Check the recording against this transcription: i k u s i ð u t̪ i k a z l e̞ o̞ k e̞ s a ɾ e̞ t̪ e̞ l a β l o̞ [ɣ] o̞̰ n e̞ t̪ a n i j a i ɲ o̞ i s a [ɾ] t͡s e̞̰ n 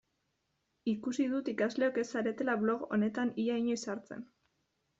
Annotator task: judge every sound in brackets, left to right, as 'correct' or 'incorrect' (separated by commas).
correct, correct